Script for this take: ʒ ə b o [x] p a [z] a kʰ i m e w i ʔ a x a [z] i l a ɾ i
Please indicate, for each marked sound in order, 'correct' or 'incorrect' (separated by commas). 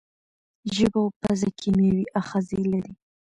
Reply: incorrect, correct, correct